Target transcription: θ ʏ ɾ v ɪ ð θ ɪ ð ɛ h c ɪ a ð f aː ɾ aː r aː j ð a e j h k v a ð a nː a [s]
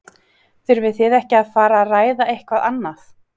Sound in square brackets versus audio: incorrect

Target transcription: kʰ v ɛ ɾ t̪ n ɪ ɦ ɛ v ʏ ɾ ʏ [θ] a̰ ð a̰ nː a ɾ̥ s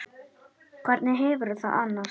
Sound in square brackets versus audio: correct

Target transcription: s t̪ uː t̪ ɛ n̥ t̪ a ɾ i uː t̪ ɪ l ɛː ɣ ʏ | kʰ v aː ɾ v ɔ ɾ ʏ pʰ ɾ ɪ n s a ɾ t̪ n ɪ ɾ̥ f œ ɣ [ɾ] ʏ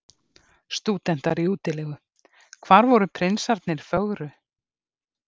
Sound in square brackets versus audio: correct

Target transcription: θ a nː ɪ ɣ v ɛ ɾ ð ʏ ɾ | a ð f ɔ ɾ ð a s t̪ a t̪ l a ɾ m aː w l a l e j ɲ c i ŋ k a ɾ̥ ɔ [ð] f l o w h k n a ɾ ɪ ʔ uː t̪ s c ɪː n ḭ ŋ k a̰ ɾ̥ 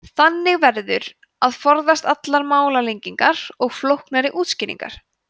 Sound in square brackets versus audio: incorrect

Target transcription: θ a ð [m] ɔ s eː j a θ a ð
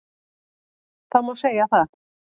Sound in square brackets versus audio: correct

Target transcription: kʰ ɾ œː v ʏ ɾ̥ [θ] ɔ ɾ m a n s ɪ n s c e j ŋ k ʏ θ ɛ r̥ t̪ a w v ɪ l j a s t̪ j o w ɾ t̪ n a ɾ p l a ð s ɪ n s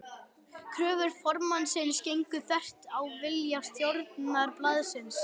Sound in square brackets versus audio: incorrect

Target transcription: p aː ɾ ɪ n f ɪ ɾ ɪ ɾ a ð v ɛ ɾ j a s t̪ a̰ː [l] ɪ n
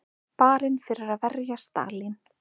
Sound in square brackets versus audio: correct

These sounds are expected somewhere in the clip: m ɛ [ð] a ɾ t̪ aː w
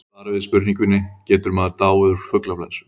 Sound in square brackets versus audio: correct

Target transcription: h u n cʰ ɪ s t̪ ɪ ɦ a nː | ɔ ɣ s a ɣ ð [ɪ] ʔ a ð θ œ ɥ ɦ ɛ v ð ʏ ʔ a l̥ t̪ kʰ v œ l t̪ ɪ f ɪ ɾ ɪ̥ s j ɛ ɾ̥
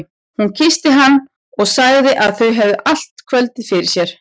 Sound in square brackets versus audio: correct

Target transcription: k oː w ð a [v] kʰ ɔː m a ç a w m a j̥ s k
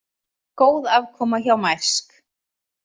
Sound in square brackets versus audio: correct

